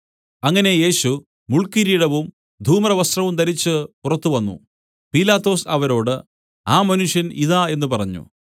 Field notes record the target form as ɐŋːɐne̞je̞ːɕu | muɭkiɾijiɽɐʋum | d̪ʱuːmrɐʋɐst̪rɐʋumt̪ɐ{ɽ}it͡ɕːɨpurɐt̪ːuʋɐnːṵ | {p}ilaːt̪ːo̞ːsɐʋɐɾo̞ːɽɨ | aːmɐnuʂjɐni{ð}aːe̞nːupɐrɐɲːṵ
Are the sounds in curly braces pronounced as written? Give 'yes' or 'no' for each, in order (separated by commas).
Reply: no, yes, yes